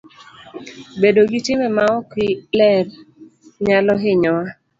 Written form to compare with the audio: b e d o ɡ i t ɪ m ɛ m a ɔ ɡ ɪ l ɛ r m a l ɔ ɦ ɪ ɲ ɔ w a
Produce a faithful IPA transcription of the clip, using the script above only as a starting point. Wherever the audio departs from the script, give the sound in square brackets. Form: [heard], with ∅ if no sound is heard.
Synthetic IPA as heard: b e d o ɡ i t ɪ m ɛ m a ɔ [k] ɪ l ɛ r [ɲ] a l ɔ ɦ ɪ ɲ ɔ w a